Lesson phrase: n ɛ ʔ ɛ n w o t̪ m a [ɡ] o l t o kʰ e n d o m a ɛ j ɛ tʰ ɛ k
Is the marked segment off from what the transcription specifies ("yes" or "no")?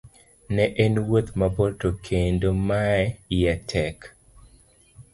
yes